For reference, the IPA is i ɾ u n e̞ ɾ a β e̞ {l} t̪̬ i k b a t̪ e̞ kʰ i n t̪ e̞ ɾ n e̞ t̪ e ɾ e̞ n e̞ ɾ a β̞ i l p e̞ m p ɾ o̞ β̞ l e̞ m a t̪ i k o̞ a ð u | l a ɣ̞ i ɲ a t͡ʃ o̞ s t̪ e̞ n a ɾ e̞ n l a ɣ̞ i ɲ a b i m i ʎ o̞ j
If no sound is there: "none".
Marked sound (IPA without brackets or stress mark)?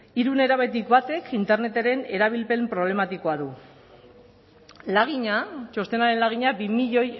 none